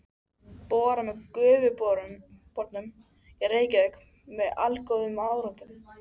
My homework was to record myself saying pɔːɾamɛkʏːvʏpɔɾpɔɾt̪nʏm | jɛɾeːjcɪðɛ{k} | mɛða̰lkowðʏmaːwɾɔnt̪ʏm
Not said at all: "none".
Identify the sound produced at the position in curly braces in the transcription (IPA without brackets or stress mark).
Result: k